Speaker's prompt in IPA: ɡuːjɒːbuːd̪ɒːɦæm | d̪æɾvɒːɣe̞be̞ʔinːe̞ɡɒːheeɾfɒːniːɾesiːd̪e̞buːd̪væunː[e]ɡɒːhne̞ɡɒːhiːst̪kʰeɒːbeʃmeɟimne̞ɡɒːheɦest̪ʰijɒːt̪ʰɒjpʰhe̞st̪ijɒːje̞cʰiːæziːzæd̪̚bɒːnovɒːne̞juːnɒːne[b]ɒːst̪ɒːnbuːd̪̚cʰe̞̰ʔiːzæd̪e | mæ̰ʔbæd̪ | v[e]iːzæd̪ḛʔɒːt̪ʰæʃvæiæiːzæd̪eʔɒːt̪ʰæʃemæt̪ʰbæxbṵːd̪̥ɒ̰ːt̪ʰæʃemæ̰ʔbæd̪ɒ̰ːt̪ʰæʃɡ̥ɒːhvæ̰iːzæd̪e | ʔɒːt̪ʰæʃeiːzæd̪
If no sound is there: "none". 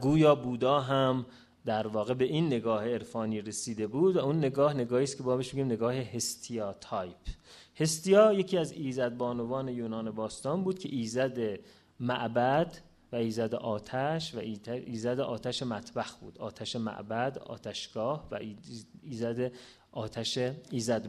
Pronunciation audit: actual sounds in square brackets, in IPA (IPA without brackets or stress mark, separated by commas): e, b, æ